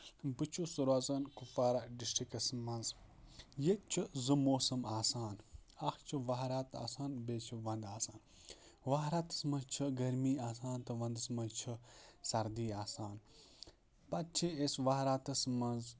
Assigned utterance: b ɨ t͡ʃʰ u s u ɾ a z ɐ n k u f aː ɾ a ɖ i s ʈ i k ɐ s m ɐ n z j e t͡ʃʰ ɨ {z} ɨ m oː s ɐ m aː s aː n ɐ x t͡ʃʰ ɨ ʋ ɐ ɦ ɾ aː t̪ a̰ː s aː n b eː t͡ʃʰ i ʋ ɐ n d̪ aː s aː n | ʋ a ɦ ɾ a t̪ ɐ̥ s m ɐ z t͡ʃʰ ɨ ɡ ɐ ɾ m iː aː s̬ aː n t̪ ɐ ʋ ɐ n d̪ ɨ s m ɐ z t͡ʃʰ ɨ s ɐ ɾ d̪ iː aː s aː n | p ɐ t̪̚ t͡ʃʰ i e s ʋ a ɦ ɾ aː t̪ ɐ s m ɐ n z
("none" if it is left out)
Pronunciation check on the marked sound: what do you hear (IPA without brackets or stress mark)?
z